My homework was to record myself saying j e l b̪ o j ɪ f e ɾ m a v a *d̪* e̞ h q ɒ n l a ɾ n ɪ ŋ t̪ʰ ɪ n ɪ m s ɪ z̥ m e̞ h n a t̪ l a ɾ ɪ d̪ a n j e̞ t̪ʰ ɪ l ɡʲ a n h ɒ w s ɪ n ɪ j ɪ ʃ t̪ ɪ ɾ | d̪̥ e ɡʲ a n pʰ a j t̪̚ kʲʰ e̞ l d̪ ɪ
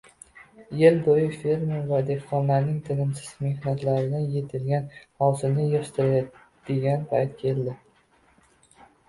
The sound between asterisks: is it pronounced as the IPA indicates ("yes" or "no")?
yes